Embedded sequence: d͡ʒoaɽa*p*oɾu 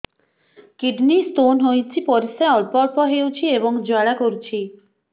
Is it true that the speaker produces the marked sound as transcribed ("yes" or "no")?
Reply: no